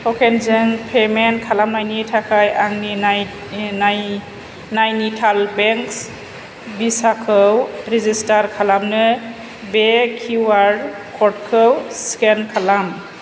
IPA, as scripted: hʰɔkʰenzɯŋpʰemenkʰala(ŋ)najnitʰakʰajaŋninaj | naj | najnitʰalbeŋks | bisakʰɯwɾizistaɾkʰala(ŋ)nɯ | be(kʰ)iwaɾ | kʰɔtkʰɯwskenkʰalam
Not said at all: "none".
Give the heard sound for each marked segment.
m, m, kʰ

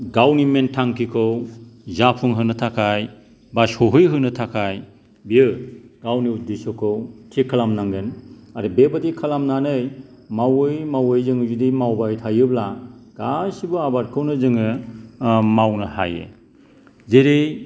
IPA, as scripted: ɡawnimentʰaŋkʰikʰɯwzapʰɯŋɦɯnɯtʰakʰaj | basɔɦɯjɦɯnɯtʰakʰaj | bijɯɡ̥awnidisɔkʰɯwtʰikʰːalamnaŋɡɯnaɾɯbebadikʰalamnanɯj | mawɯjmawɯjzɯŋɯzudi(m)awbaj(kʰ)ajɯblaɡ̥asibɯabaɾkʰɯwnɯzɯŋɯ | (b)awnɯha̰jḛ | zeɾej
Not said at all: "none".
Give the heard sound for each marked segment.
m, tʰ, m

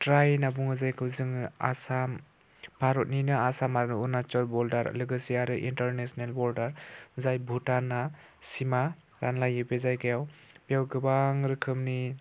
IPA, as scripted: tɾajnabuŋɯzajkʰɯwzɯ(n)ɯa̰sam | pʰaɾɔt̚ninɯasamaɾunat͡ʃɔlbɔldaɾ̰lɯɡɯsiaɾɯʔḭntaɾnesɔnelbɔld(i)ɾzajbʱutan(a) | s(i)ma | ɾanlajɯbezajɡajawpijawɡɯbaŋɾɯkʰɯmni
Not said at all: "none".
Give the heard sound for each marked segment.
ŋ, a, a, i

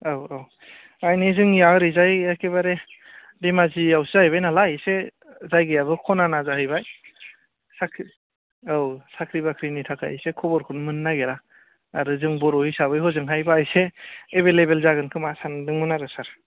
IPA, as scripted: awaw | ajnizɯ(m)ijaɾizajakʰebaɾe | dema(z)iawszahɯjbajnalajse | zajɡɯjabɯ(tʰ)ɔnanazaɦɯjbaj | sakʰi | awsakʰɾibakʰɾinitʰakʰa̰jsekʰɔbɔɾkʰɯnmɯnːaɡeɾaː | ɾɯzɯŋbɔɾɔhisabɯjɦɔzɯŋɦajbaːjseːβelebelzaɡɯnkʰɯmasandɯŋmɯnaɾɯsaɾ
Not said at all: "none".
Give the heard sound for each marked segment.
ŋ, z, kʰ

